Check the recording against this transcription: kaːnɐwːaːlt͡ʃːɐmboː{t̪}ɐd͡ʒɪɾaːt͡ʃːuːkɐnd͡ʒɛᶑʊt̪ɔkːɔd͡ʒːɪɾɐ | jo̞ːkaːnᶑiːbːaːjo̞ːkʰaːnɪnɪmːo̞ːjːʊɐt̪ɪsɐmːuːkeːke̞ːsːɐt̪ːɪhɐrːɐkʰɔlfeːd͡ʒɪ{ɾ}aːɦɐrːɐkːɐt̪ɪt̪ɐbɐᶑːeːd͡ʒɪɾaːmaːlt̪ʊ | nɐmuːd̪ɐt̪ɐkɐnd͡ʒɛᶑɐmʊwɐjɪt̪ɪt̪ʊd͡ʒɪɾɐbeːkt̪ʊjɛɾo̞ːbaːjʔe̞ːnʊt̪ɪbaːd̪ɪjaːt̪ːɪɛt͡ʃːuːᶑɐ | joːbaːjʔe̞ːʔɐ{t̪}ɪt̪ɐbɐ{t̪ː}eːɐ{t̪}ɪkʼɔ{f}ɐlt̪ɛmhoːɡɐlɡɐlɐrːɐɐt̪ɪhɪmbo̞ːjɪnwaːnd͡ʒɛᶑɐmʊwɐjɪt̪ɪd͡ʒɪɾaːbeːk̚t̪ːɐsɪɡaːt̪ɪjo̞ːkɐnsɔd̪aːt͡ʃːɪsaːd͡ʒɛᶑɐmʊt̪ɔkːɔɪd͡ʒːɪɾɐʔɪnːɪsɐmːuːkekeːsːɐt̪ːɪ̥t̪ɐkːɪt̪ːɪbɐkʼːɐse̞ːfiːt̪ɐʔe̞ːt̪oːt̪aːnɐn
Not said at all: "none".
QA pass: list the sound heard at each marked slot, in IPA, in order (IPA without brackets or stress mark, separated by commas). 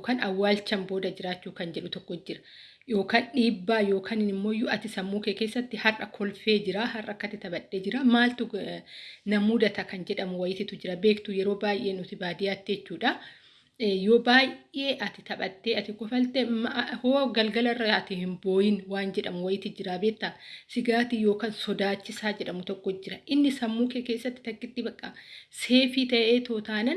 d̪, ɾ, t̪, t̪ː, t̪, f